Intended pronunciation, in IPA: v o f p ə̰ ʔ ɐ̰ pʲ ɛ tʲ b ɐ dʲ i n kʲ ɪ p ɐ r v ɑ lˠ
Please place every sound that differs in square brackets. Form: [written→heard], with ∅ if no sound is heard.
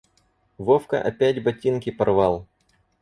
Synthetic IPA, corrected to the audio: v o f [p→k] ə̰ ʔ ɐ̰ pʲ [ɛ→æ] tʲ b ɐ [dʲ→tʲ] i n kʲ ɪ p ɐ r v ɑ lˠ